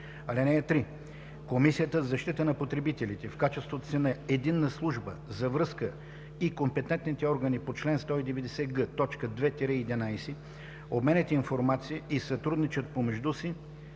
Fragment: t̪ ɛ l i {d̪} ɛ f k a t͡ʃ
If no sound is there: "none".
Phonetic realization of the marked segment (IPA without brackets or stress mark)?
t̪